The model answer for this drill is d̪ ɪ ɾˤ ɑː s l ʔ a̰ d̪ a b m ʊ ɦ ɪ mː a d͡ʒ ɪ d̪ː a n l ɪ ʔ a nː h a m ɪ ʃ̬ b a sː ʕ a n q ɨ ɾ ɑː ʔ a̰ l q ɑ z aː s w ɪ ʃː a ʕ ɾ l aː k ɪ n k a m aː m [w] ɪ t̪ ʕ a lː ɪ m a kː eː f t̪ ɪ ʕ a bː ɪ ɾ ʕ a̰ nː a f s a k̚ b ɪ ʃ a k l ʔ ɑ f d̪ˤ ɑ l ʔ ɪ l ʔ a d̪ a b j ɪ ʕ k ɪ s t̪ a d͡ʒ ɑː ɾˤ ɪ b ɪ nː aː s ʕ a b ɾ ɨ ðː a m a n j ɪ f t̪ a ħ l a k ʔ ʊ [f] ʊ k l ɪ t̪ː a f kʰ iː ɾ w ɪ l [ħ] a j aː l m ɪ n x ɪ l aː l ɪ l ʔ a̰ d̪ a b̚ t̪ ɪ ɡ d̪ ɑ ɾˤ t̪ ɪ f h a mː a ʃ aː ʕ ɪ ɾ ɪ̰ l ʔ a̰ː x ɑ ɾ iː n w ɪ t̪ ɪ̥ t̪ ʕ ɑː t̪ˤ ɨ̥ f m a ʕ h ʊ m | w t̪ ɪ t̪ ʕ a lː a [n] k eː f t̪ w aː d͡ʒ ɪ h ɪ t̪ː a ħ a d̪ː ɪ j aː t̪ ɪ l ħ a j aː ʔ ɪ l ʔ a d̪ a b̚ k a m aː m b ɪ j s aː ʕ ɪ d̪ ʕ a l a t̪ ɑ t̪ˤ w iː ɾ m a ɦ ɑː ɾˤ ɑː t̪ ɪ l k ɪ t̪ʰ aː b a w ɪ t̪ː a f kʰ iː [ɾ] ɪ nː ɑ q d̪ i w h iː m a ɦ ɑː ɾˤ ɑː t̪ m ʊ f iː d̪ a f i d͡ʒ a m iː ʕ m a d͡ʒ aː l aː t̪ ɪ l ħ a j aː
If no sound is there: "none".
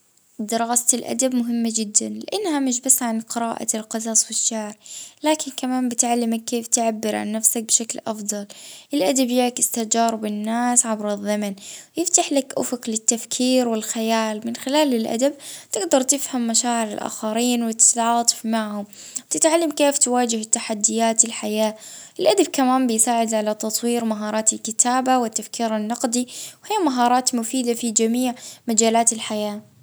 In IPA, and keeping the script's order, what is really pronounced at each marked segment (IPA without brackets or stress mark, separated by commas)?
b, f, x, m, ɾ